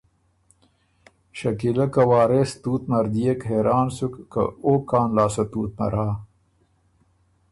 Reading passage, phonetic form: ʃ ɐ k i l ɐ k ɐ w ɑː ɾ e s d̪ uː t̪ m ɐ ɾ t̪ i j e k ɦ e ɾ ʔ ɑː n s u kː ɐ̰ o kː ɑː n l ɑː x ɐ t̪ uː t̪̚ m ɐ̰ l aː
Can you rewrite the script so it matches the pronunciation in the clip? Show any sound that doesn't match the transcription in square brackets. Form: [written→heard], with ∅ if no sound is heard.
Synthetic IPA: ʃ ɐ k i l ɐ k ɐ w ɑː ɾ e s [d̪→t̪] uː t̪ m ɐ ɾ [t̪→d̪] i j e k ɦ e ɾ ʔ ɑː n s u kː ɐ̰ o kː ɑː n l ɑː [x→s] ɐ t̪ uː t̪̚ m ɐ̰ [l→ɾ] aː